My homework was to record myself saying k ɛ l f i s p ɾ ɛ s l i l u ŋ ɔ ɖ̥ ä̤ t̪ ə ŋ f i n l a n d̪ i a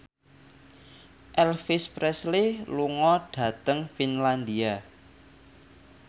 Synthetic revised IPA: ʔ ɛ l f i s p ɾ ɛ s l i l u ŋ ɔ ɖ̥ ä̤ t̪ ə ŋ f i n l a n d̪ i a